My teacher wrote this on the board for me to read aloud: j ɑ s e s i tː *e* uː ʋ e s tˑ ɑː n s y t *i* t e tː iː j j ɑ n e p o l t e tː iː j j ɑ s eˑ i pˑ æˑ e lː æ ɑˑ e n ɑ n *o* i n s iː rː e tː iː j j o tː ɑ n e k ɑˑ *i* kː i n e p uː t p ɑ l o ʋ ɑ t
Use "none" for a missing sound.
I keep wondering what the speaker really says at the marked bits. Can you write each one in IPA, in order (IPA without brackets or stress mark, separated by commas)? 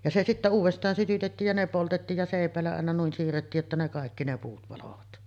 æ, y, u, e